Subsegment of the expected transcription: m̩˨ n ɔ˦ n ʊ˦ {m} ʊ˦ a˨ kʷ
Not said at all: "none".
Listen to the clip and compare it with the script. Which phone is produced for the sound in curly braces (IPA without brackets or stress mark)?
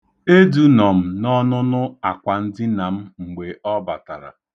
n